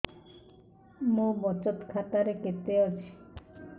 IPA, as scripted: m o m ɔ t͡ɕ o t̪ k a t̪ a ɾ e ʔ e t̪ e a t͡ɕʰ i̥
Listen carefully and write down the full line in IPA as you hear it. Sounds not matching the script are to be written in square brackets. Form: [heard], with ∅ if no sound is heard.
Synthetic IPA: m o [b] ɔ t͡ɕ o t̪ [kʰ] a t̪ a ɾ e [k] e t̪ e a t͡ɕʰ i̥